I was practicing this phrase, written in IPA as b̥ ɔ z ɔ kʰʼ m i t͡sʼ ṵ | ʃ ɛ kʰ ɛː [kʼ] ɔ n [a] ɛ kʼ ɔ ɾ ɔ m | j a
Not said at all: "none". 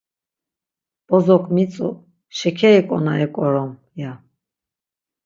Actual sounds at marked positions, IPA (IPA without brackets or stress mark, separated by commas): kʼ, a